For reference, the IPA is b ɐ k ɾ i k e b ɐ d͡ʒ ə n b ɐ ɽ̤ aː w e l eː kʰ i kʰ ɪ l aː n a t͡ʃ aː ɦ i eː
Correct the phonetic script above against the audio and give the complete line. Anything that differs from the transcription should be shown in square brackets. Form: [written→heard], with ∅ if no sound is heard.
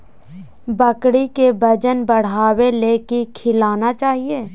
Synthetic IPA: b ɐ k [ɾ→ɽ] i k e b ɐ d͡ʒ ə n b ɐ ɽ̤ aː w e l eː [kʰ→k] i kʰ ɪ l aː n a t͡ʃ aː ɦ i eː